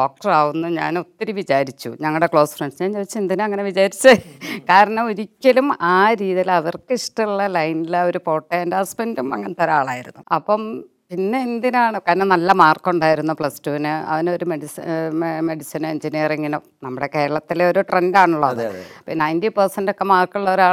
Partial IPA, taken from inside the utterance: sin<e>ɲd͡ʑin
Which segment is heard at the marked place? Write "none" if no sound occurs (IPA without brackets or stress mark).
e